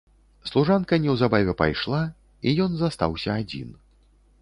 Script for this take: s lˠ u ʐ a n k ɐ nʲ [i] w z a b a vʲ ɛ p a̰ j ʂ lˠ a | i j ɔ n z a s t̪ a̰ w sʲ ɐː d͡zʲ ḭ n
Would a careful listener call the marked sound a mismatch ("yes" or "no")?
yes